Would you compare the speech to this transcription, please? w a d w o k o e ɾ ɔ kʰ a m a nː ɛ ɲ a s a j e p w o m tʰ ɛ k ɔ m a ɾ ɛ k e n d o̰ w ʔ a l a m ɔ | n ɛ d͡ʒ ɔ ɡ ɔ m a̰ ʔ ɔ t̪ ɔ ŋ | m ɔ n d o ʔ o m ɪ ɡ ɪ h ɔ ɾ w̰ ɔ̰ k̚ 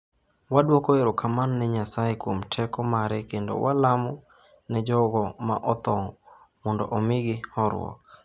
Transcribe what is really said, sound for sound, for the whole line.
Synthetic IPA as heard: w a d w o k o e ɾ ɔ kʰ a m a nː ɛ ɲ a s a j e k w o m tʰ ɛ k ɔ m a ɾ ɛ k e n d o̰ w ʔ a l a m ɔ | n ɛ d͡ʒ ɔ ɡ ɔ m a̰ ʔ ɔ t̪ ɔ ŋ | m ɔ n d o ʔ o m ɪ ɡ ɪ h ɔ ɾ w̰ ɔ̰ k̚